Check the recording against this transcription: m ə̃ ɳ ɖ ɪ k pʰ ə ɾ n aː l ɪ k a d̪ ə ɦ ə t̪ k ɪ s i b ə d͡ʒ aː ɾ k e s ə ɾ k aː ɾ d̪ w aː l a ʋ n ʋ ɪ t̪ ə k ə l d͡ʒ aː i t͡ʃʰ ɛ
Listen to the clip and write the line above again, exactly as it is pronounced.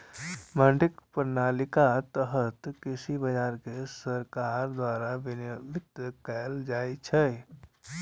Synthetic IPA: m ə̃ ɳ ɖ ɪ k p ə ɾ n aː l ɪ k a t̪ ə ɦ ə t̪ k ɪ s i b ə d͡ʒ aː ɾ k e s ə ɾ k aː ɾ d̪ w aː ɾ a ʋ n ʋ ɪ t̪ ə k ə l d͡ʒ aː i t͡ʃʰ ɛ